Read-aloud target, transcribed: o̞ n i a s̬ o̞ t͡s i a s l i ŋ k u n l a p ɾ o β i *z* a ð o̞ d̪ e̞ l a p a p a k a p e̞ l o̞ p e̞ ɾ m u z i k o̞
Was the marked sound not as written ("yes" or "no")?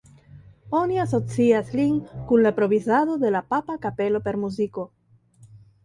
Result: no